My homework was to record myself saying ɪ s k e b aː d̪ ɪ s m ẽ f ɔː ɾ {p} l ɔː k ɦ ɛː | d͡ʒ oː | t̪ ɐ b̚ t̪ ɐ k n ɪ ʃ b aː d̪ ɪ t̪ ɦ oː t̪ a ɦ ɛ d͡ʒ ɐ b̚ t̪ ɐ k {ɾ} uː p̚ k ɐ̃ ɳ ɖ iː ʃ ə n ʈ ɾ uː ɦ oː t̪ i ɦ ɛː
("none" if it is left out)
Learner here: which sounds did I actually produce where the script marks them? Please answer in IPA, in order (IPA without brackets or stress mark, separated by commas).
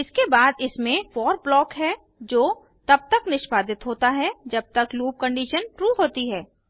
b, l